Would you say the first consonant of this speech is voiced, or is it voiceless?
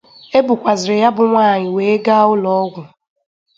voiced